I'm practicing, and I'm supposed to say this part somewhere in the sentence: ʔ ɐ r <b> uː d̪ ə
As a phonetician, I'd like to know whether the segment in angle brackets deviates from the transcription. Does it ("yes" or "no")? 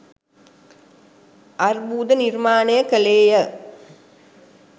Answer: no